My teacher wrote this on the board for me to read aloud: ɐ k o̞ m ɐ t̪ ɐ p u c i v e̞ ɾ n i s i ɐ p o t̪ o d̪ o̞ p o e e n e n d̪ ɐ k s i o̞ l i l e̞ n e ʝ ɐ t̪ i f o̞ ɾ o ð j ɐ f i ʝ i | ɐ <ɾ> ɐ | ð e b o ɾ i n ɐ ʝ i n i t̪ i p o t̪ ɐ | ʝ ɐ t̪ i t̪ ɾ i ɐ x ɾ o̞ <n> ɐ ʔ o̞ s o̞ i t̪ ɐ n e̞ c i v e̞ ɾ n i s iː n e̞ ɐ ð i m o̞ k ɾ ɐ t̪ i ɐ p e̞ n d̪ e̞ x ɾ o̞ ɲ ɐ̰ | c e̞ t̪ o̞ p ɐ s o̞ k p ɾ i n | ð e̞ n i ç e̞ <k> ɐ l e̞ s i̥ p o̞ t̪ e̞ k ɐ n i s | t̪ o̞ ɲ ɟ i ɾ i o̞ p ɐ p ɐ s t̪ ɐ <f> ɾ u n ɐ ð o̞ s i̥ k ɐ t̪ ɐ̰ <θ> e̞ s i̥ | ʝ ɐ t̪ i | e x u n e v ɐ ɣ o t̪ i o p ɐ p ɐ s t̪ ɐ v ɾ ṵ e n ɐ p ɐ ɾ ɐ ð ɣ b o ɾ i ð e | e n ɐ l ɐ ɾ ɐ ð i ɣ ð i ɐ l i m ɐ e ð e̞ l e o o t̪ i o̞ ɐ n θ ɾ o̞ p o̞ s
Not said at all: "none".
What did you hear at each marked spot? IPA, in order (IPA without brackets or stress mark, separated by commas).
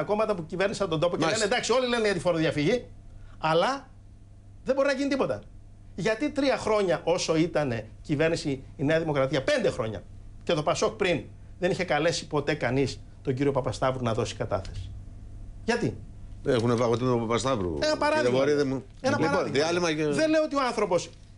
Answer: l, ɲ, k, v, θ